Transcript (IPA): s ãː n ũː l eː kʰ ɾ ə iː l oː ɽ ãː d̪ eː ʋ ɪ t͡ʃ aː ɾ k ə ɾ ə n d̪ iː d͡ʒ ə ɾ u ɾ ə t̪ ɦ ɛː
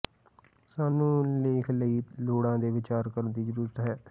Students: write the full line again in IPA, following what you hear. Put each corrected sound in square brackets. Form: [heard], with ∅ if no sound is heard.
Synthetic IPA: s [aː] n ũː l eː kʰ [l] ə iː l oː ɽ ãː d̪ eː ʋ ɪ t͡ʃ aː ɾ k ə ɾ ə n d̪ iː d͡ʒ ə ɾ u ɾ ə t̪ ɦ ɛː